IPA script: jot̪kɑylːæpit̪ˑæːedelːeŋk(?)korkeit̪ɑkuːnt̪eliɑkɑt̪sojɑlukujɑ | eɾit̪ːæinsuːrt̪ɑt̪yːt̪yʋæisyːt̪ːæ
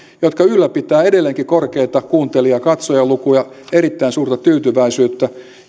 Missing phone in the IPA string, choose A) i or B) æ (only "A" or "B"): A